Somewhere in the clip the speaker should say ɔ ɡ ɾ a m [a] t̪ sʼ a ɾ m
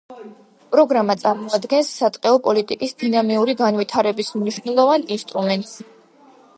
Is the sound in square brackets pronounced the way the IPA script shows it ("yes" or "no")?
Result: yes